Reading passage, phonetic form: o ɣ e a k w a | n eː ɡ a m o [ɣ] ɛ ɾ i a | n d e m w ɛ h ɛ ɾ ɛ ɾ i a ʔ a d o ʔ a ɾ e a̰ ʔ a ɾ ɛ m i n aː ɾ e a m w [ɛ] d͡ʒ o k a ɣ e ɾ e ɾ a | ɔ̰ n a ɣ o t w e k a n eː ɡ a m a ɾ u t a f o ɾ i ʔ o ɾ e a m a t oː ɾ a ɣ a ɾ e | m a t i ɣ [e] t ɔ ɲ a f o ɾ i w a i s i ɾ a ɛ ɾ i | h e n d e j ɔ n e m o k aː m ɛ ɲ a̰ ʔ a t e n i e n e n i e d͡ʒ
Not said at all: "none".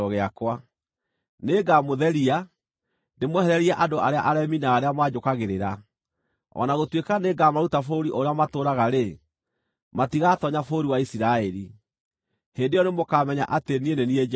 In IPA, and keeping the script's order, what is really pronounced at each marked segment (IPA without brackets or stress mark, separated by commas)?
ð, a, a